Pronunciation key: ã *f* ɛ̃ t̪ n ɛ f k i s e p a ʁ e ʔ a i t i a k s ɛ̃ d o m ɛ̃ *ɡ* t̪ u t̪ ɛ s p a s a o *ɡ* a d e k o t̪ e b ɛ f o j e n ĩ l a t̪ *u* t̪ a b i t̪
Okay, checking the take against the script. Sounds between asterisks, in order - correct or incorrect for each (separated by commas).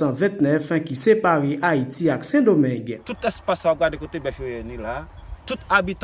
incorrect, correct, correct, correct